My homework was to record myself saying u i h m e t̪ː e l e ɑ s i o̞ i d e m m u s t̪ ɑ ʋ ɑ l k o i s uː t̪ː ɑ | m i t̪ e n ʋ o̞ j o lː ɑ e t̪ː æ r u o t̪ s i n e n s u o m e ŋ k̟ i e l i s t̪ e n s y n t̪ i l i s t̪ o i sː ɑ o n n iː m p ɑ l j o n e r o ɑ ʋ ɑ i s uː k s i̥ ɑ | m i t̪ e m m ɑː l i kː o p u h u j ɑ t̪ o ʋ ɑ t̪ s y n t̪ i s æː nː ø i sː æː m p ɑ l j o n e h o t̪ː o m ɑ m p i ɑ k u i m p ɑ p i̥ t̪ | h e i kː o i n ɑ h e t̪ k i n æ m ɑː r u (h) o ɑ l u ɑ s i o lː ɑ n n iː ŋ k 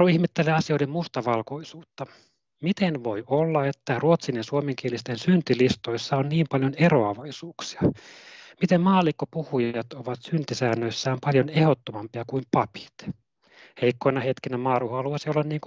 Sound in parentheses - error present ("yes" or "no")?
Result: no